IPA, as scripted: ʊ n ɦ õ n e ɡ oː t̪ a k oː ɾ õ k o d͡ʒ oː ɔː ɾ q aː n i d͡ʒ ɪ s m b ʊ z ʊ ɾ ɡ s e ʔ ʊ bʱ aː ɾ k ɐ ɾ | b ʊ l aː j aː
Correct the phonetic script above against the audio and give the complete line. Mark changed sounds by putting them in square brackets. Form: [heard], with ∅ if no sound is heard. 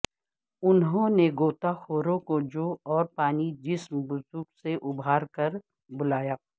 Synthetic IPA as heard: ʊ n ɦ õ n e ɡ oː t̪ a [x] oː ɾ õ k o d͡ʒ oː ɔː ɾ [p] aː n i d͡ʒ ɪ s m b ʊ z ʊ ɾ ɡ s e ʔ ʊ bʱ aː ɾ k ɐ ɾ | b ʊ l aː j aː